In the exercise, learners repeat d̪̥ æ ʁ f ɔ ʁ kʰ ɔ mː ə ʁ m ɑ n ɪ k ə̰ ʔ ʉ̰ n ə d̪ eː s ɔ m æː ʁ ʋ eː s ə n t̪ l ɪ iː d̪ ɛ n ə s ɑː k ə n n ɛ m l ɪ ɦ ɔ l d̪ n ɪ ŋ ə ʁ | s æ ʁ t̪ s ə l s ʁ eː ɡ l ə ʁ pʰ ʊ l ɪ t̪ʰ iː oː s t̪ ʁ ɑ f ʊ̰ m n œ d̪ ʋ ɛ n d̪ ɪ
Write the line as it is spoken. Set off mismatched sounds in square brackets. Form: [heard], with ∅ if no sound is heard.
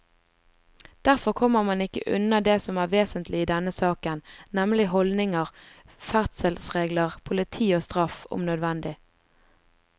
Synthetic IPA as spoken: d̪̥ æ ʁ f ɔ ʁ kʰ ɔ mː ə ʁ m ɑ n ɪ k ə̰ ʔ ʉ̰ n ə d̪ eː s ɔ m æː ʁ ʋ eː s ə n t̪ l ɪ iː d̪ ɛ n ə s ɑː k ə n n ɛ m l ɪ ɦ ɔ l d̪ n ɪ ŋ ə ʁ | [f] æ ʁ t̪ s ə l s ʁ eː ɡ l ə ʁ pʰ ʊ l ɪ t̪ʰ iː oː s t̪ ʁ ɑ f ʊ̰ m n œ d̪ ʋ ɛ n d̪ ɪ